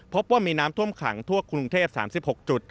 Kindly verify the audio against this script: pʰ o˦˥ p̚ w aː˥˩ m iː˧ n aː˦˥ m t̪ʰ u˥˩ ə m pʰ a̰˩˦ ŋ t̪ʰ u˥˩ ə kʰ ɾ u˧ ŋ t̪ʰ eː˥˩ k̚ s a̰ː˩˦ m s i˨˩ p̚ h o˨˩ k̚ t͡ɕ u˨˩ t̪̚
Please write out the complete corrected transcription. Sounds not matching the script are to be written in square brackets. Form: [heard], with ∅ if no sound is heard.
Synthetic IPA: pʰ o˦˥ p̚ w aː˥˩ m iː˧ n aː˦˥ m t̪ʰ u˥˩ ə m [kʰ] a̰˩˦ ŋ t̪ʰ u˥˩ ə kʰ ɾ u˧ ŋ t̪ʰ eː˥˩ [p̚] s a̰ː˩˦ m s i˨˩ p̚ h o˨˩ k̚ t͡ɕ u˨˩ t̪̚